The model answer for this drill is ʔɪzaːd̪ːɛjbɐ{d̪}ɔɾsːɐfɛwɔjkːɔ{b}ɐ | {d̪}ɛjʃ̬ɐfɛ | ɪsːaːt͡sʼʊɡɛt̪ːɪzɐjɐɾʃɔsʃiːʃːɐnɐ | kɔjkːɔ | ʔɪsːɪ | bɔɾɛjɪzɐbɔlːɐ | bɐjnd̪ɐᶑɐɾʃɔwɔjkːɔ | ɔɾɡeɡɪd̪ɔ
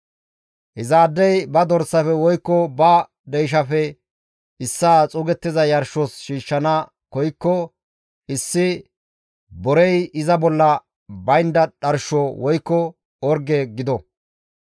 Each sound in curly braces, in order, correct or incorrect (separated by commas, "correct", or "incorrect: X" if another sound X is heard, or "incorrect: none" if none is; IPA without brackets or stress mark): correct, correct, correct